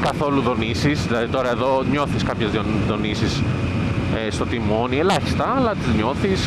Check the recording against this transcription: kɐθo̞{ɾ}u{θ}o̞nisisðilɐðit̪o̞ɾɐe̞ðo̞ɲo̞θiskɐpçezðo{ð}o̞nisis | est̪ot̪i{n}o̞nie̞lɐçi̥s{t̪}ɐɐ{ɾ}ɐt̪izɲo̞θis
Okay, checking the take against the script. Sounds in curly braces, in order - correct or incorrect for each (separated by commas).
incorrect, incorrect, correct, incorrect, correct, incorrect